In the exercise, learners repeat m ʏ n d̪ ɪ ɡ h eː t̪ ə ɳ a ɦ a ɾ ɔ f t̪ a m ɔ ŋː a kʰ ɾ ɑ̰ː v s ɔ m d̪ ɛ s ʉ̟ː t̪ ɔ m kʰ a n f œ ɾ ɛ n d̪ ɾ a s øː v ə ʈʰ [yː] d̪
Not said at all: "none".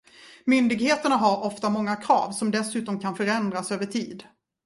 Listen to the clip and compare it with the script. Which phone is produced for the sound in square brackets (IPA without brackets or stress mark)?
iː